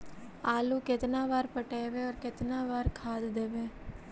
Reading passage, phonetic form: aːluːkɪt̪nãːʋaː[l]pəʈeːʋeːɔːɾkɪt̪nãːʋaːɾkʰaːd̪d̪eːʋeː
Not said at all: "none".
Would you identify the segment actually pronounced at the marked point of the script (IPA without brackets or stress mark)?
ɾ